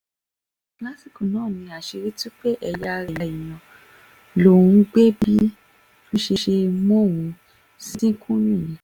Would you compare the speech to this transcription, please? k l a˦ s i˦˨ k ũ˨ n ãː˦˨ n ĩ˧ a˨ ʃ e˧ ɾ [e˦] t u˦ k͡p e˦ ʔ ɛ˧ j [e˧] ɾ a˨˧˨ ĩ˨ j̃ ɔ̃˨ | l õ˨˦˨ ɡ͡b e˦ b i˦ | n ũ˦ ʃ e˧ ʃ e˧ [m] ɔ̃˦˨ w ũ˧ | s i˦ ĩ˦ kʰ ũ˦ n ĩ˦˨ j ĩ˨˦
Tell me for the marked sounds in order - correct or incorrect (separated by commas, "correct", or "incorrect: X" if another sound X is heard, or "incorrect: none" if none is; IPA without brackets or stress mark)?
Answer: incorrect: i˦, incorrect: a˧, correct